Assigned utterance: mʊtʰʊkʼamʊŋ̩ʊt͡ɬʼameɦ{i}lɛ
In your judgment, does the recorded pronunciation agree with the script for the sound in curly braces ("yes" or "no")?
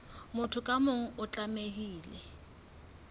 no